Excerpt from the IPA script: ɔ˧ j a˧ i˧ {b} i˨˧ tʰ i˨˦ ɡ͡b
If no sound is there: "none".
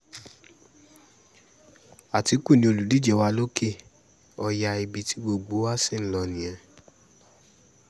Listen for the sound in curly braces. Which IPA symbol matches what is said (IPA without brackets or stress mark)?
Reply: b